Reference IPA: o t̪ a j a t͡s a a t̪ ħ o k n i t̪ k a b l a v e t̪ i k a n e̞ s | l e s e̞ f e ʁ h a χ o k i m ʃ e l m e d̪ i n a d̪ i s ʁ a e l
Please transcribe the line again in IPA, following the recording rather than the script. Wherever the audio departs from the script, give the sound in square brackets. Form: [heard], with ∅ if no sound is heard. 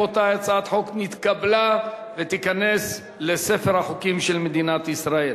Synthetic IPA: o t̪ a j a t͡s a a t̪ ħ o k n i t̪ k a b l a v e t̪ i k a n e̞ s | l e s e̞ f e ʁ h a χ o k i m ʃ e l m e d̪ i n a [t̪] i s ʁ a e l

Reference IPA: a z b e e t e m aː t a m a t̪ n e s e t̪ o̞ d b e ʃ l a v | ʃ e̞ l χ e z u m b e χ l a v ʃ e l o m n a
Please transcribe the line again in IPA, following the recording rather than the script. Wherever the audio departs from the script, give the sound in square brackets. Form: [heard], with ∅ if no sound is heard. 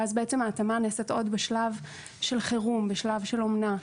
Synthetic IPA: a z b e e [t͡s] e m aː t a m a [∅] n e s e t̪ o̞ d b e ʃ l a v | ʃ e̞ l χ e [ʁ] u m b e [ʃ] l a v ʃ e l o m n a

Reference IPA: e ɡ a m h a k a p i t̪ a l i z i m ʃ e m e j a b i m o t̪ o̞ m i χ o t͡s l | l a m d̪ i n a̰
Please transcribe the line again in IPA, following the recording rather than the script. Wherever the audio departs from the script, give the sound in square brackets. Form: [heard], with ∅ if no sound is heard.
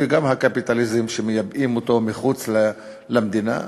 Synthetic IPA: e ɡ a m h a k a p i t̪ a l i z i m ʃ e m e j a b i m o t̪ o̞ m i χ [u] t͡s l | l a m d̪ i n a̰

